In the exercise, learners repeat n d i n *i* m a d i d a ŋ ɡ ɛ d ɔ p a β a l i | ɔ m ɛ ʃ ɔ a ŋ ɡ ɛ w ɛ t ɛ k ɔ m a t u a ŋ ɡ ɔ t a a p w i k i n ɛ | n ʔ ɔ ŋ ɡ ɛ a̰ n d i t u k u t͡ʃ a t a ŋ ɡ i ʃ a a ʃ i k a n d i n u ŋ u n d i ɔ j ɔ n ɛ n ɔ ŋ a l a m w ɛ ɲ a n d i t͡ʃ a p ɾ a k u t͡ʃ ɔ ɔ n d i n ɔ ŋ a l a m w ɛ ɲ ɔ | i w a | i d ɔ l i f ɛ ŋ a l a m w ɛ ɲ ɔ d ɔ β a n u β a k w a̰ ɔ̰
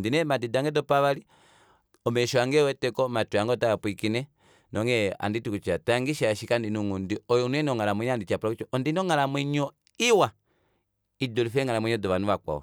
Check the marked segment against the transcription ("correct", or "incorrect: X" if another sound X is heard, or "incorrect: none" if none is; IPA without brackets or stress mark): incorrect: ɛ